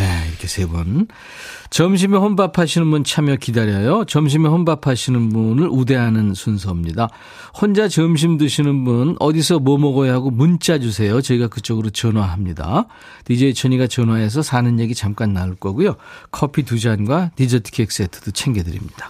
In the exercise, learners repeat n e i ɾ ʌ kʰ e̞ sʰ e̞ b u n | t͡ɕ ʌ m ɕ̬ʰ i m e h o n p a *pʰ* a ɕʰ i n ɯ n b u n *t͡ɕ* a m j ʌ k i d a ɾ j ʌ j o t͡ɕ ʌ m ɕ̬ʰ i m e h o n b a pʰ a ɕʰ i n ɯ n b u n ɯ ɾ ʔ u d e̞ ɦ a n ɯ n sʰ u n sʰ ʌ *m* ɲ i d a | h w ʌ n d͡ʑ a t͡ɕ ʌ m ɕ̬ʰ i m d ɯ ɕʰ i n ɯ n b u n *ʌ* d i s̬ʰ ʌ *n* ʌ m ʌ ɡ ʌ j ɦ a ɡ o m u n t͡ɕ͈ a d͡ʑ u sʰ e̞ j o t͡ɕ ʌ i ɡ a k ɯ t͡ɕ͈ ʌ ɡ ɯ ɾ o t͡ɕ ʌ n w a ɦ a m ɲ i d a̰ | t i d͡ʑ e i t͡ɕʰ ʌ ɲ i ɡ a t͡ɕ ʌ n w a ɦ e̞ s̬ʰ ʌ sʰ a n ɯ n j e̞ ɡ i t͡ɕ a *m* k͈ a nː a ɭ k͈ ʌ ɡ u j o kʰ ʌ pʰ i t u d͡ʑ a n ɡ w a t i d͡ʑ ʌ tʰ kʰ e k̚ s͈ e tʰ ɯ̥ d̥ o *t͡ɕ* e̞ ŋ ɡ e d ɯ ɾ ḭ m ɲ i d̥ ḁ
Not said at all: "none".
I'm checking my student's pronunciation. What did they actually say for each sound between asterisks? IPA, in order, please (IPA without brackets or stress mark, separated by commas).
pʰ, t͡ɕʰ, m, ʌ, m, m, t͡ɕʰ